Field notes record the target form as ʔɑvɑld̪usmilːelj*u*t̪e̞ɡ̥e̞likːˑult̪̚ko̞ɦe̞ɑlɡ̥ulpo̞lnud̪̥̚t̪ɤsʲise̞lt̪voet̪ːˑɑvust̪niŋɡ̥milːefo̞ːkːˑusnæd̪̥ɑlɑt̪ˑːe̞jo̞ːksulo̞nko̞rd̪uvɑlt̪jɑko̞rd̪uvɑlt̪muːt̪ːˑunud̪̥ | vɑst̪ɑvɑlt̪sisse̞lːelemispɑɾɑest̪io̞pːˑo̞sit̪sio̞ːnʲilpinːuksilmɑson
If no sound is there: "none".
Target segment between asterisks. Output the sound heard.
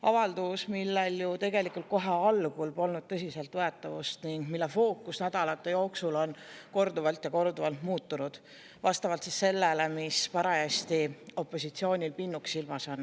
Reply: u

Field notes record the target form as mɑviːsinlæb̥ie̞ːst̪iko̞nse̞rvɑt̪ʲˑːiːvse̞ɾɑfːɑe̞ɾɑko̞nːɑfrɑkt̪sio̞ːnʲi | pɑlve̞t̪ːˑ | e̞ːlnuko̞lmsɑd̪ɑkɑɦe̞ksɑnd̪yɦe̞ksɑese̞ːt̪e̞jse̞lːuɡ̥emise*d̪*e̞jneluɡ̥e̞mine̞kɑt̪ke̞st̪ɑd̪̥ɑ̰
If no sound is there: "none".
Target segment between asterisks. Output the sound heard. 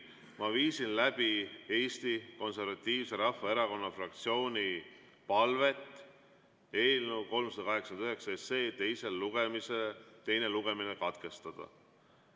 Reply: t̪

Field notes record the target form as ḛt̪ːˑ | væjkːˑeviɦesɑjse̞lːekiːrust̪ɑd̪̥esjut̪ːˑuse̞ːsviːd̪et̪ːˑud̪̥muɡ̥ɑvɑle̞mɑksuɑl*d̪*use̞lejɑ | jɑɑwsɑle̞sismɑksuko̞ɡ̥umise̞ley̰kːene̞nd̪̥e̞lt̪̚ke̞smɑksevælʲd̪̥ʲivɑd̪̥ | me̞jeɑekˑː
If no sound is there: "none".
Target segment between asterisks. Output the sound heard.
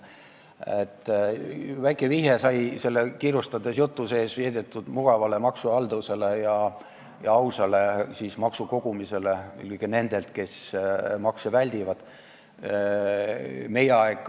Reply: d̪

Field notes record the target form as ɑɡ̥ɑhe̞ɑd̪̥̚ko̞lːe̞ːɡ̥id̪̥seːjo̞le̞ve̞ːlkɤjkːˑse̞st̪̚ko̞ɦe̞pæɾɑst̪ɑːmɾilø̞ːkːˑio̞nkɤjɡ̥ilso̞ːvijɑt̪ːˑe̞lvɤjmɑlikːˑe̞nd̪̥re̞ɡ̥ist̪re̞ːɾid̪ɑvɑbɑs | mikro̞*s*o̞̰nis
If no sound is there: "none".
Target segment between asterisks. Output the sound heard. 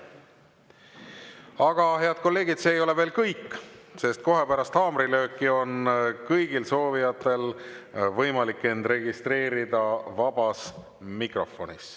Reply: f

